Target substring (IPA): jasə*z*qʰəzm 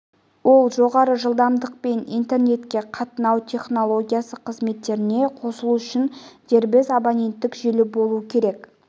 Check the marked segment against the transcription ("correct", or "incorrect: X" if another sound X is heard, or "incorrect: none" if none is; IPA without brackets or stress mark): incorrect: none